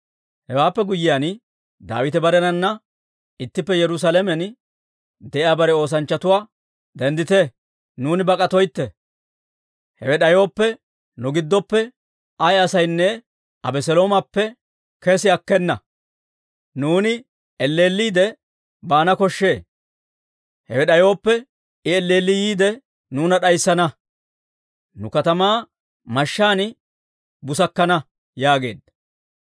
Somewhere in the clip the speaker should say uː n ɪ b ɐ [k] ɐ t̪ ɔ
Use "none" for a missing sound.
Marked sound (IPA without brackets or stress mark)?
kʼ